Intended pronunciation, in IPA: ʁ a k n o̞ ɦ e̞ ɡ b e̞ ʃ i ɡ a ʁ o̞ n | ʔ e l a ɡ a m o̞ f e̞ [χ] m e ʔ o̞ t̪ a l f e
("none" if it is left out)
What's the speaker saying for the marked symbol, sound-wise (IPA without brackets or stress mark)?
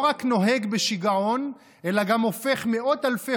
χ